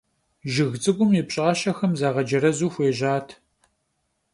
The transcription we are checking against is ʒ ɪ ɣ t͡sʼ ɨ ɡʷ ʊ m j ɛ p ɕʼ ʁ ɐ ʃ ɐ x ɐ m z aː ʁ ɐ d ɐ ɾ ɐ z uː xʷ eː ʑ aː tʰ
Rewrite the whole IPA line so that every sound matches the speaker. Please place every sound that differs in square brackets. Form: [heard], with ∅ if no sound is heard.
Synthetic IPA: ʒ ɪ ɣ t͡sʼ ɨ ɡʷ ʊ m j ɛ p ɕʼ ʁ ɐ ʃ ɐ x ɐ m z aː ʁ ɐ [d͡ʒ] ɐ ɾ ɐ z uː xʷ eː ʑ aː tʰ